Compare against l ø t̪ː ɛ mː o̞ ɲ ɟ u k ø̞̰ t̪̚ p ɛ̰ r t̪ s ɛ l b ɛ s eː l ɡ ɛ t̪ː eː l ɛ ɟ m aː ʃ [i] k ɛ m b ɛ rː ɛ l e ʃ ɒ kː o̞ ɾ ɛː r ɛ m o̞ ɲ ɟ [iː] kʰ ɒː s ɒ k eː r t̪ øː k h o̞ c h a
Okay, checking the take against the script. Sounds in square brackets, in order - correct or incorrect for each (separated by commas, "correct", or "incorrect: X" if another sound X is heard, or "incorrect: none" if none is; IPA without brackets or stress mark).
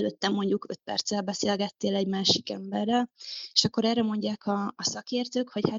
correct, incorrect: aː